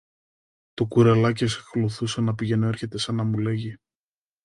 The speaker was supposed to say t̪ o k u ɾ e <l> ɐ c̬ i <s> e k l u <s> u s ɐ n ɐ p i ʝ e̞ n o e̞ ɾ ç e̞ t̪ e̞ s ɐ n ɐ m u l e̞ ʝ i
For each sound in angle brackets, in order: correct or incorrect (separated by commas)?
correct, correct, incorrect